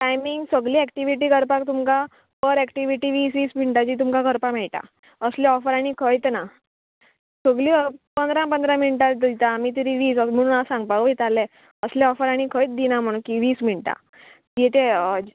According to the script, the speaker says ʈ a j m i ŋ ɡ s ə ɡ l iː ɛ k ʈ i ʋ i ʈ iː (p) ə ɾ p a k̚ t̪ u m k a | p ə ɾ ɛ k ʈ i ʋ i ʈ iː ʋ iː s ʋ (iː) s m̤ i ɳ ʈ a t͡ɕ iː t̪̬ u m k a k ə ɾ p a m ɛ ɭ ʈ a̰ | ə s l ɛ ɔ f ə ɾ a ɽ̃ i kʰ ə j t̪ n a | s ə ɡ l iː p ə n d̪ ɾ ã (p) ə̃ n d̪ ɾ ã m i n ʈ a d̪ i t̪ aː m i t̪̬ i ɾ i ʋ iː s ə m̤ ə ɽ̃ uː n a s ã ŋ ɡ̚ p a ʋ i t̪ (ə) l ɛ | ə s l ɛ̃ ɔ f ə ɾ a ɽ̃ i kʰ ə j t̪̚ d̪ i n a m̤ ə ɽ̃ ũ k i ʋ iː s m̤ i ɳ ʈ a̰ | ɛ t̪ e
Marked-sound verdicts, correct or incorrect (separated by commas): incorrect, correct, correct, incorrect